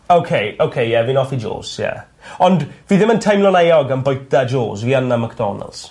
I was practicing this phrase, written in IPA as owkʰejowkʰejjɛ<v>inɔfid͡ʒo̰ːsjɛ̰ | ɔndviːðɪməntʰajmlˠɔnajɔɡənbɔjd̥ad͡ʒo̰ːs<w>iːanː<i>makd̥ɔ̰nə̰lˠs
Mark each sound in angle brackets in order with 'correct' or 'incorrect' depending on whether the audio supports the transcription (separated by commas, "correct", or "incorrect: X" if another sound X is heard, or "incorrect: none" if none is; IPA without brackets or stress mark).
correct, incorrect: v, incorrect: a